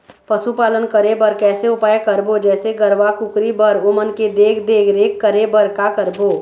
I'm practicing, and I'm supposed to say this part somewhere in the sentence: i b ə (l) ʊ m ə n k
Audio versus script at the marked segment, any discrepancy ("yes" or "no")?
yes